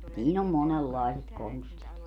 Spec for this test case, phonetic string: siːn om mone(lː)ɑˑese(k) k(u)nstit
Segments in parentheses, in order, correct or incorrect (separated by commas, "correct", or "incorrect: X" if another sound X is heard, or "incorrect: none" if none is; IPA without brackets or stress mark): correct, incorrect: t, incorrect: o